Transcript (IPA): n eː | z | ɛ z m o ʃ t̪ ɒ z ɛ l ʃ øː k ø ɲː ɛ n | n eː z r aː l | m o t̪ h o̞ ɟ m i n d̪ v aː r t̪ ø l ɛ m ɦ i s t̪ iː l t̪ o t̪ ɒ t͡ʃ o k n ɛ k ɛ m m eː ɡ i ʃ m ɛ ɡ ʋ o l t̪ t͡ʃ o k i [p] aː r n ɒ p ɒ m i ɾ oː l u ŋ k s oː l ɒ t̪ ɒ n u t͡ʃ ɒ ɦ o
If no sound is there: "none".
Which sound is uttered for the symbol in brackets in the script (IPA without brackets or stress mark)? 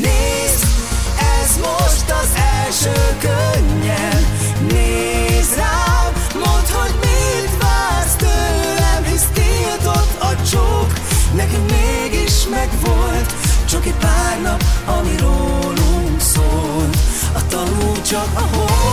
p